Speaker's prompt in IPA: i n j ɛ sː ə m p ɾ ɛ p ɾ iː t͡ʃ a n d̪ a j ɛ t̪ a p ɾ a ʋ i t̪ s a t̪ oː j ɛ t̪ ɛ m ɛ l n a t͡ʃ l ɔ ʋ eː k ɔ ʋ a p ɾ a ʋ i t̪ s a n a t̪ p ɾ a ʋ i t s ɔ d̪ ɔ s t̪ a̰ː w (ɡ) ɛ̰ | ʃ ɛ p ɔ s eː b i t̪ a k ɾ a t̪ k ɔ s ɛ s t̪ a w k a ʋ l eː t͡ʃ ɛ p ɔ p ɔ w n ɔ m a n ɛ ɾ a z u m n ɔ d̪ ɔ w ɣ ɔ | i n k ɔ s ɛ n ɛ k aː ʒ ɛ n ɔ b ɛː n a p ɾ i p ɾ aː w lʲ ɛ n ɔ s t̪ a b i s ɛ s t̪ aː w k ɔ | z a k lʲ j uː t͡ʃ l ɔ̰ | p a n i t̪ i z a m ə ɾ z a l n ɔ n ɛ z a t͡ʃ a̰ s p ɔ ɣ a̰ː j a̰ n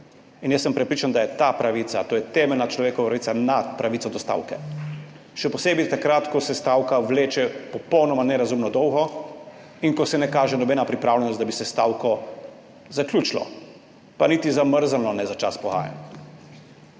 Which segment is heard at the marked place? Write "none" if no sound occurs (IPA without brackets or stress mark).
k